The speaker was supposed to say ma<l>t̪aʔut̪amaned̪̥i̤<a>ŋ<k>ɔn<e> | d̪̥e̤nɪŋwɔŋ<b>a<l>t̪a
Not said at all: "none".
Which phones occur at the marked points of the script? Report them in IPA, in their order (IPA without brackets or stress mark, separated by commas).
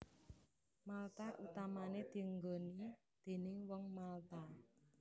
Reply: l, ə, ɡ, i, m, l